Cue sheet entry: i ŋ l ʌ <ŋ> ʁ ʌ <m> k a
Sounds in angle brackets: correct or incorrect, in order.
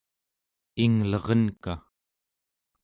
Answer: incorrect, incorrect

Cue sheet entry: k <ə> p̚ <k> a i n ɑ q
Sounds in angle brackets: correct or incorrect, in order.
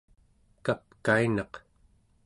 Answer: incorrect, correct

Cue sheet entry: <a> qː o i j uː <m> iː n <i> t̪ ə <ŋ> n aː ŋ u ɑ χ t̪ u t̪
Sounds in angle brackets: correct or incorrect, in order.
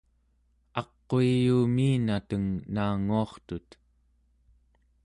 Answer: incorrect, correct, incorrect, correct

